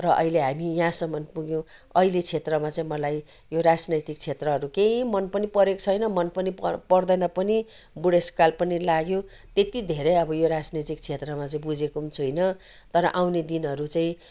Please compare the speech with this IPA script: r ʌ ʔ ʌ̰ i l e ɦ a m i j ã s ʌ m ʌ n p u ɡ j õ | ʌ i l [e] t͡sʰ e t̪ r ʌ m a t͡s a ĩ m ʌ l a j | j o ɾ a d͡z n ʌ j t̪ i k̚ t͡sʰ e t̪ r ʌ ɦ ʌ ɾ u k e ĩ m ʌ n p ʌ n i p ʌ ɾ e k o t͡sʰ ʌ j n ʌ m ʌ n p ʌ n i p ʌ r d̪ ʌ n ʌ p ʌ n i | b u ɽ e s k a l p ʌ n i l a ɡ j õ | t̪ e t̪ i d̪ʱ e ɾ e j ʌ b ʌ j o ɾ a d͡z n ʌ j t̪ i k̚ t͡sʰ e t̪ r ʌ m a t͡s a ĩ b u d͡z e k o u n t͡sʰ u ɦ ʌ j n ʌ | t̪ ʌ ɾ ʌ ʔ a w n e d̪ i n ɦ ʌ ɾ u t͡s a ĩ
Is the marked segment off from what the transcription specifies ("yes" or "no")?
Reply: no